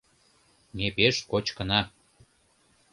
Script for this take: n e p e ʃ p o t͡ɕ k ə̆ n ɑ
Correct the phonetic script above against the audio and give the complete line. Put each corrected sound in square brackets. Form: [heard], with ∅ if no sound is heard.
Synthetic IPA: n e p e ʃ [k] o t͡ɕ k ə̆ n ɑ

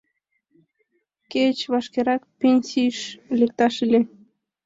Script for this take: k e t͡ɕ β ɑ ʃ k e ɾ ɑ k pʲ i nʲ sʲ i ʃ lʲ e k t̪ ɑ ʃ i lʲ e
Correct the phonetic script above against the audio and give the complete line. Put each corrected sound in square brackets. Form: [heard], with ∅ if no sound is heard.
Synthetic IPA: k e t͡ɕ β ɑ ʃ k e ɾ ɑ k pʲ [e] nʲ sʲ i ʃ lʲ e k t̪ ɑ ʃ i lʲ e

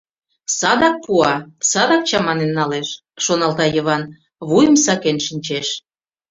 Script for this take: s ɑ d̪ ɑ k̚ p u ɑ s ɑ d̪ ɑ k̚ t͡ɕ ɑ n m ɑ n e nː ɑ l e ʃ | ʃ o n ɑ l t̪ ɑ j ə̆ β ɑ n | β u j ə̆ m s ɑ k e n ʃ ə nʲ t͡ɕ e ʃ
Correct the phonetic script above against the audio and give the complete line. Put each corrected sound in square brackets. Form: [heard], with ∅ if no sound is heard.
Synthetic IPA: s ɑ d̪ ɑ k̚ p u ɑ s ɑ d̪ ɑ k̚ t͡ɕ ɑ [∅] m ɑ n e nː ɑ l e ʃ | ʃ o n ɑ l t̪ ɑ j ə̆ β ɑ n | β u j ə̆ m s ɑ k e n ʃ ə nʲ t͡ɕ e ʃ

